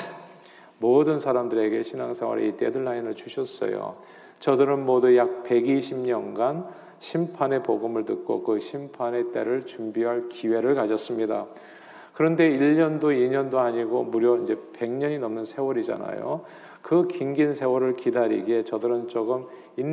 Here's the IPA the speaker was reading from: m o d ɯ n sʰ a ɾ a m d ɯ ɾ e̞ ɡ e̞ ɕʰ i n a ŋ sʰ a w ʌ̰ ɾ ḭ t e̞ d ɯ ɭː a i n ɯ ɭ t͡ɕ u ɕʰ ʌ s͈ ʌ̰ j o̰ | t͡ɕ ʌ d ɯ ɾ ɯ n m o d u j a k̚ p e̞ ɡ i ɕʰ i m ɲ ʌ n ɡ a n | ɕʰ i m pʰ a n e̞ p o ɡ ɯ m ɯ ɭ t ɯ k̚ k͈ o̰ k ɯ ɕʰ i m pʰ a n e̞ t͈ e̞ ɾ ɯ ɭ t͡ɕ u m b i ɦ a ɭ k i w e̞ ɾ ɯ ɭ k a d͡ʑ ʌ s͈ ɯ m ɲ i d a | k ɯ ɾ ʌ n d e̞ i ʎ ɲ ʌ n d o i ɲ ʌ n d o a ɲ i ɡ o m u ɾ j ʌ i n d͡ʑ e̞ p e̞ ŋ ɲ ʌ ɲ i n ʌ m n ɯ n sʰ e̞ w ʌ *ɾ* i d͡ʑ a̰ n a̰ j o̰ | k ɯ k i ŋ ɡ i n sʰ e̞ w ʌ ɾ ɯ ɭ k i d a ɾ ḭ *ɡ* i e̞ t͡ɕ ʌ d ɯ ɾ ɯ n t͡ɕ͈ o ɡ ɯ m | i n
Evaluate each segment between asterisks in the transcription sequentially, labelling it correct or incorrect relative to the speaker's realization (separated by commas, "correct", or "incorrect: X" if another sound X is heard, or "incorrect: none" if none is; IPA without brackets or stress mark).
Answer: correct, correct